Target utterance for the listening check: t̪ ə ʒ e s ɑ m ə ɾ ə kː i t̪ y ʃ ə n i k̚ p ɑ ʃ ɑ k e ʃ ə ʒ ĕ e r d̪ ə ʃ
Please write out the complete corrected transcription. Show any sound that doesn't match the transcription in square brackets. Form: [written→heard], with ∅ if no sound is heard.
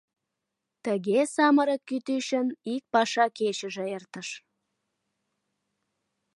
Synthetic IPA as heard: t̪ ə [ʒ→ɣ] e s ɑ m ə ɾ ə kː [i→y] t̪ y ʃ ə n i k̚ p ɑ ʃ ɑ k e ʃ ə ʒ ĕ e r [d̪→t̪] ə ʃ